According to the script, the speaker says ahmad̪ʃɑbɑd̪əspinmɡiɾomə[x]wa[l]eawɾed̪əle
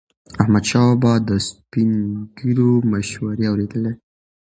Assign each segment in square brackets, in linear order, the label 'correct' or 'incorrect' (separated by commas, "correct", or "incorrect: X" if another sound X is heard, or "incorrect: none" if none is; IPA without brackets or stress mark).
incorrect: ʃ, incorrect: ɾ